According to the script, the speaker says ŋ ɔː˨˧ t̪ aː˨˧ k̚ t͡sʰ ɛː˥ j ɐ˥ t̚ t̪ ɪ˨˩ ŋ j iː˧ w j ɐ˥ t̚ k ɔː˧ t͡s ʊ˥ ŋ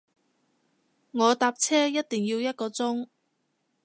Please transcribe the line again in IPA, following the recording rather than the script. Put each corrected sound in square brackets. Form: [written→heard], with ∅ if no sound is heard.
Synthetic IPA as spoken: ŋ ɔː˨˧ t̪ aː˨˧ [k̚→p̚] t͡sʰ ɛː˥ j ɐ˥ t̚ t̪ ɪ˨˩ ŋ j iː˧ w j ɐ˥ t̚ k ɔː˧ t͡s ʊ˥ ŋ